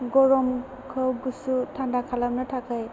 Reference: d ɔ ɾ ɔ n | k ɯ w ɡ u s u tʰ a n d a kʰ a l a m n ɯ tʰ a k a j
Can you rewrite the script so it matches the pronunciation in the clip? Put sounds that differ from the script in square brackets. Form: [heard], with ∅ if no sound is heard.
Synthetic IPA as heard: [ɡ] ɔ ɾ ɔ [m] | [kʰ] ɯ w ɡ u s u tʰ a n d a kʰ a l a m n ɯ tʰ a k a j